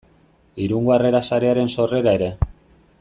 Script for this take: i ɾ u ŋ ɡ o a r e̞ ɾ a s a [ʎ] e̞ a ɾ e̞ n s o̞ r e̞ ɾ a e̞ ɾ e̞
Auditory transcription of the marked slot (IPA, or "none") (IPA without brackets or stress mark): ɾ